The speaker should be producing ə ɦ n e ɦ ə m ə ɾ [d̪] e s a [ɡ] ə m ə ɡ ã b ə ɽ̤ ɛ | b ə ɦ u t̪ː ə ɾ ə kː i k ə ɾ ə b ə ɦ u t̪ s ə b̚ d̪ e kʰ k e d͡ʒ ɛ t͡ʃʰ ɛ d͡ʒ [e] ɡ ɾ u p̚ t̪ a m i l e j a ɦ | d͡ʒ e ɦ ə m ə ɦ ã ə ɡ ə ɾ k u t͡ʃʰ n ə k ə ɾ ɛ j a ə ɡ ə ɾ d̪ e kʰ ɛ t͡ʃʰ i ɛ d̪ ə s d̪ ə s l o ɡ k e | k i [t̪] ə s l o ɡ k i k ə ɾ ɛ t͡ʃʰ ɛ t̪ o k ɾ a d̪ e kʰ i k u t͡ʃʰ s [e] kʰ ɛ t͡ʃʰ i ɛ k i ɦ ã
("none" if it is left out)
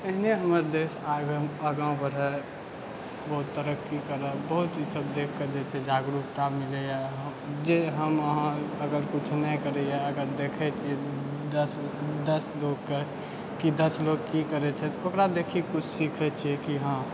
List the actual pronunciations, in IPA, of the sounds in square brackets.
d̪, ɡ, a, d̪, i

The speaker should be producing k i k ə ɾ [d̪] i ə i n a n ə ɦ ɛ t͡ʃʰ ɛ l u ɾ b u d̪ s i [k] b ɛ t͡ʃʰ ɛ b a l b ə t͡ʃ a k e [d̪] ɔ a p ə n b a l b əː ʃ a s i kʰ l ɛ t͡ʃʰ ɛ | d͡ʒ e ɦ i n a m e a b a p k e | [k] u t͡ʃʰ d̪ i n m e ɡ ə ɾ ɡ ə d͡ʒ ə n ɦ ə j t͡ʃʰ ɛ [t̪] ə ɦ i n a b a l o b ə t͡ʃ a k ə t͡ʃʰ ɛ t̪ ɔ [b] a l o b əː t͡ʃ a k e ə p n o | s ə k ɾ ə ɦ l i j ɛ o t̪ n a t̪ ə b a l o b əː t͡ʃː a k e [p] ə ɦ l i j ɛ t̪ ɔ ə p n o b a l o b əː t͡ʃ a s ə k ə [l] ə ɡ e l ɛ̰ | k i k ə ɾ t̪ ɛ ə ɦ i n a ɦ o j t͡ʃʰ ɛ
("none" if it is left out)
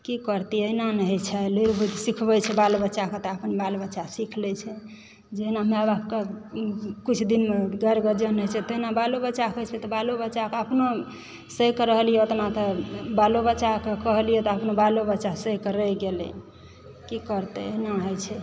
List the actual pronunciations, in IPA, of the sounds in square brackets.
t̪, kʰ, t̪, k, t̪, b, k, ɾ

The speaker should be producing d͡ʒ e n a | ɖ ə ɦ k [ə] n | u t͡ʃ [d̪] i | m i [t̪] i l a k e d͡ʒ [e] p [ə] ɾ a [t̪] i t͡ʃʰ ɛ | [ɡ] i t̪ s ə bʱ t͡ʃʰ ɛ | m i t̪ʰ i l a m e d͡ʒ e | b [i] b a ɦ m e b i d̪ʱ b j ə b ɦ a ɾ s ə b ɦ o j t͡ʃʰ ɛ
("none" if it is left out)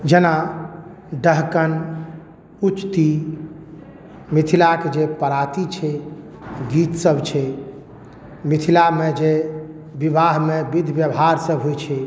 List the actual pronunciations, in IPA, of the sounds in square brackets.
ə, t̪, t̪ʰ, e, ə, t̪, ɡ, i

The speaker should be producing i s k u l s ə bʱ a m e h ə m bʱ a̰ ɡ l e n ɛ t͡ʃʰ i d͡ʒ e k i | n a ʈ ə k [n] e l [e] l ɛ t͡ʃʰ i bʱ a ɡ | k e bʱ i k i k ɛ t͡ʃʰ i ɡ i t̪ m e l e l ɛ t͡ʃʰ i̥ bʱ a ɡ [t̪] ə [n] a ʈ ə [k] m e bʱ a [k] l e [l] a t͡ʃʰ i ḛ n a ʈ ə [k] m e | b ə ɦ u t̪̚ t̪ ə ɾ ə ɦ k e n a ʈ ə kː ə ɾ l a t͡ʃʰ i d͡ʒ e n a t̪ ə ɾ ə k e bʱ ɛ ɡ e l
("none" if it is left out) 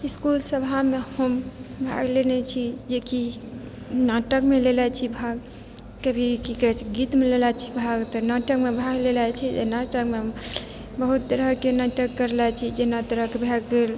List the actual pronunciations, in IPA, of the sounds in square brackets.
m, e, t̪, n, k, ɡ, l, k

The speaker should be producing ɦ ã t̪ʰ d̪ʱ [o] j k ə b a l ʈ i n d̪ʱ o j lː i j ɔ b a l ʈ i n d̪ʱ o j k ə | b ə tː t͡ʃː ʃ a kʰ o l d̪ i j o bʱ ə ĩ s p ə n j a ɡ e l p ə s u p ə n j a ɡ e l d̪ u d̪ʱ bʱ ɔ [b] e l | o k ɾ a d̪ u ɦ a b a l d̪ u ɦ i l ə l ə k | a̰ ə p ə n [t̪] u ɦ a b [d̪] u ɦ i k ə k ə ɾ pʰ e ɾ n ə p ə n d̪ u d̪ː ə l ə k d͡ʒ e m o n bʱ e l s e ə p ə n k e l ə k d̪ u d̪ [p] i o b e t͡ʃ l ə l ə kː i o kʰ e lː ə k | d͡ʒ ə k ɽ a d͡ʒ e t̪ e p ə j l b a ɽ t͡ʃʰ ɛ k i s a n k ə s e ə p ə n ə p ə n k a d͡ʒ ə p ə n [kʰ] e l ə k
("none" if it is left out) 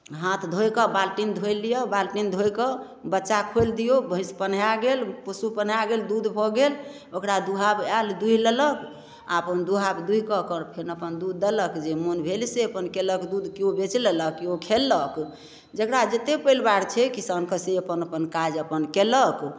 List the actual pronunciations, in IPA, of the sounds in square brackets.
o, ɡ, d̪, d̪, k, k

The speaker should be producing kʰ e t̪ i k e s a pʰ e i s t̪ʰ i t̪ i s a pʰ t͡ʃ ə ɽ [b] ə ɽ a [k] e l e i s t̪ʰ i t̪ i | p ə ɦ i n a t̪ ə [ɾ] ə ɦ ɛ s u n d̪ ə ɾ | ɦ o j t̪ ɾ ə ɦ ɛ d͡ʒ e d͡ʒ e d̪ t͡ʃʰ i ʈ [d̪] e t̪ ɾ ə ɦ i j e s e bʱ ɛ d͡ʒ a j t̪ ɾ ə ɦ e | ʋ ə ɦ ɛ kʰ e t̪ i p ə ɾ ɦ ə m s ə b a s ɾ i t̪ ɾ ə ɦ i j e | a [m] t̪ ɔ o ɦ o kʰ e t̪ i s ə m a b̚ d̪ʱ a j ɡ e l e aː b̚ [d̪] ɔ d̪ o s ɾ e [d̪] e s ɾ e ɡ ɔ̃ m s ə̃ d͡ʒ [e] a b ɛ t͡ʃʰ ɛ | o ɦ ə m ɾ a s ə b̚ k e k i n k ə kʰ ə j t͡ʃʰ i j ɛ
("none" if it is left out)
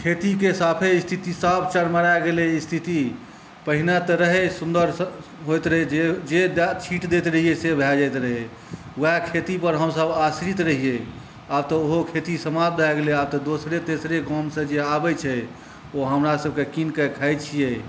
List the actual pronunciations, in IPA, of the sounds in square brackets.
m, ɡ, ɾ, d̪, b, t̪, t̪, e

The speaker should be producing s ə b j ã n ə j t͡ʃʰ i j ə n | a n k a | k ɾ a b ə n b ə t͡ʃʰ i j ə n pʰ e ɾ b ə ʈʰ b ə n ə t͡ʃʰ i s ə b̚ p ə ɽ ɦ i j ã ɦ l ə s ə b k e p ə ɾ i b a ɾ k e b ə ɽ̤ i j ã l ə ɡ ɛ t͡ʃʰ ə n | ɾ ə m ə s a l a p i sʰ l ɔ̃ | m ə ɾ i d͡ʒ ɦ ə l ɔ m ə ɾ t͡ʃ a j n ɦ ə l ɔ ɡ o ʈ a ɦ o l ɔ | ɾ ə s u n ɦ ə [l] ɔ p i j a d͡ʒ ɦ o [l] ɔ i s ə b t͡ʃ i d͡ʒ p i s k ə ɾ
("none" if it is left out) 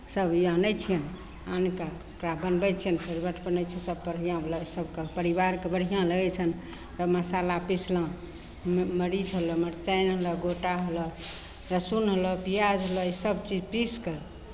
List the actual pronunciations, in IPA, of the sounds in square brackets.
l, l

